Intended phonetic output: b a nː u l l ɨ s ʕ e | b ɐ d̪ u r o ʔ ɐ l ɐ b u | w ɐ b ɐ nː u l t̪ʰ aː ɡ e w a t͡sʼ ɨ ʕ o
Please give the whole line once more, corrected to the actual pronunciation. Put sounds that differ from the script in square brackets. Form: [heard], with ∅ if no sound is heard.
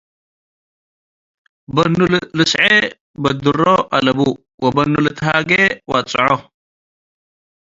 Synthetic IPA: b [ɐ] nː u l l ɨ s ʕ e | b ɐ d̪ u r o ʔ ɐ l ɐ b u | w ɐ b ɐ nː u l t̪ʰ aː ɡ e w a t͡sʼ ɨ ʕ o